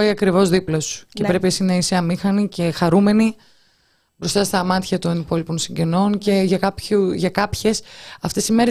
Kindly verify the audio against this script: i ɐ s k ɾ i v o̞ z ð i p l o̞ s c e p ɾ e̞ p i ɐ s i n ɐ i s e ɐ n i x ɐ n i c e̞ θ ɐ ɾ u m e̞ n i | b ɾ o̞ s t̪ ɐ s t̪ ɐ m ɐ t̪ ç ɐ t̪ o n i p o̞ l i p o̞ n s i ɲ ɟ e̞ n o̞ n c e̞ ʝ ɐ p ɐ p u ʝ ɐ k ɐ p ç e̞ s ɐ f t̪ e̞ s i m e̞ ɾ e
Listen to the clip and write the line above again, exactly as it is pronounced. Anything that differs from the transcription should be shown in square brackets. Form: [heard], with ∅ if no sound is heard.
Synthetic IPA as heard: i ɐ [∅] k ɾ i v o̞ z ð i p l o̞ s c e p ɾ e̞ p i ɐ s i n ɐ i s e ɐ [m] i x ɐ n i c e̞ [x] ɐ ɾ u m e̞ n i | b ɾ o̞ s t̪ ɐ s t̪ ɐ m ɐ t̪ ç ɐ t̪ o n i p o̞ l i p o̞ n s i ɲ ɟ e̞ n o̞ n c e̞ ʝ ɐ [k] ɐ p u ʝ ɐ k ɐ p ç e̞ s ɐ f t̪ e̞ s i m e̞ ɾ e